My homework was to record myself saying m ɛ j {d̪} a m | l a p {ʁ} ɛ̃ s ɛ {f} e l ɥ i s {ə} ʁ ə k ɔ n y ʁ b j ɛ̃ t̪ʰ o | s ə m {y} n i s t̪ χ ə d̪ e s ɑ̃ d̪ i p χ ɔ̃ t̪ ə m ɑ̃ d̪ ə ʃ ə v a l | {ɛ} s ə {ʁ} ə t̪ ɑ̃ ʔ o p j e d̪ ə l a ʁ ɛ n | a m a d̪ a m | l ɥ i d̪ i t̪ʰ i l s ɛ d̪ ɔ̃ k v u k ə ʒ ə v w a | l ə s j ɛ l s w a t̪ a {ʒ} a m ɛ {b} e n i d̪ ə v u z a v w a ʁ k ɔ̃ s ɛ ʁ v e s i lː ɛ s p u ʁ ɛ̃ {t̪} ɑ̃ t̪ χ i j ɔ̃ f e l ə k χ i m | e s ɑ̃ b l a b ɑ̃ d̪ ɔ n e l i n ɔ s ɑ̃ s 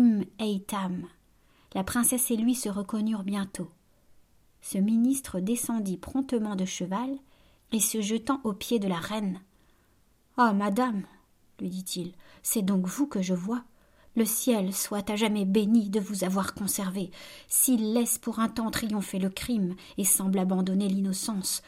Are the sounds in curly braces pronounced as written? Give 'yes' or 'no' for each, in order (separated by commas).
no, no, no, yes, no, no, no, yes, yes, yes